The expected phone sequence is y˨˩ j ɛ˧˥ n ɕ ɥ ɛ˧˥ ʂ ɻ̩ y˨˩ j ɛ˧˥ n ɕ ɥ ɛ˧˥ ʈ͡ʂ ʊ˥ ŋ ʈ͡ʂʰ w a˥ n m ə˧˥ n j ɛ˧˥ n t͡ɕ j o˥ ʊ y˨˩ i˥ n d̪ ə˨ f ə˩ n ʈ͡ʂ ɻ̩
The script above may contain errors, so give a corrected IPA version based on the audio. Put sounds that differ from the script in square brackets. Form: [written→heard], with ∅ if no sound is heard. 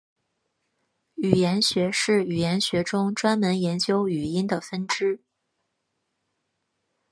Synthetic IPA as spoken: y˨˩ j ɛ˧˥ n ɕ ɥ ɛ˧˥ ʂ ɻ̩ y˨˩ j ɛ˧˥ n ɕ ɥ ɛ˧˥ ʈ͡ʂ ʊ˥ ŋ [ʈ͡ʂʰ→ʈ͡ʂ] w a˥ n m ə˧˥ n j ɛ˧˥ n t͡ɕ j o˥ ʊ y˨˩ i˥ n d̪ ə˨ f [ə˩→ə˥] n ʈ͡ʂ ɻ̩